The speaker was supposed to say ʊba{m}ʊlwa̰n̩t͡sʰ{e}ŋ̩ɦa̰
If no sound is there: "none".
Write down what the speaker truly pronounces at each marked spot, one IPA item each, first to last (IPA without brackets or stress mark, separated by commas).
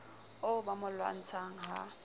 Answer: m, a